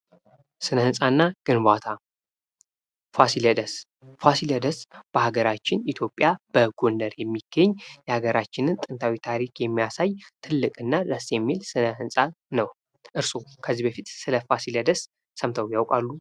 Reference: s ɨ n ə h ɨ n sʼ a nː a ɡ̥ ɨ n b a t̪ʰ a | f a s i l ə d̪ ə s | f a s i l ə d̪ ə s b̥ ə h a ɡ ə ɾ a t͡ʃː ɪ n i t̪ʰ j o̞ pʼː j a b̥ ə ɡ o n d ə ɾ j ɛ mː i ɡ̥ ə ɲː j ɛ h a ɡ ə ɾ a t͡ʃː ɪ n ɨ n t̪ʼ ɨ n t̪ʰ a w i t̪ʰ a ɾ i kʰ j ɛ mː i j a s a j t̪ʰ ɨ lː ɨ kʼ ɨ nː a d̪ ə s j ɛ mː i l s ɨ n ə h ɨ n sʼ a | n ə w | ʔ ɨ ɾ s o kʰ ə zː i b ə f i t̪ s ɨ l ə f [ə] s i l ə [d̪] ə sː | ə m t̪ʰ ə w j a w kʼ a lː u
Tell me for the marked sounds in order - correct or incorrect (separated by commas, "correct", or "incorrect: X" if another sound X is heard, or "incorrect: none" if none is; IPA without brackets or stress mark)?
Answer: incorrect: a, correct